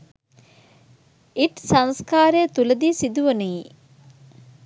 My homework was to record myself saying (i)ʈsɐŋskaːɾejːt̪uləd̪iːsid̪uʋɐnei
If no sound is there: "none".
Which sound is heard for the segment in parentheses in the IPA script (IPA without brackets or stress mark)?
i